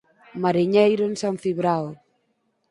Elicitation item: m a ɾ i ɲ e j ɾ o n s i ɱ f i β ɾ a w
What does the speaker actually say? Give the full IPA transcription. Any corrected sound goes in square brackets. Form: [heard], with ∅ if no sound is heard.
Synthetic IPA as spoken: m a ɾ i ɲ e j ɾ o n s [a] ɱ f i β ɾ a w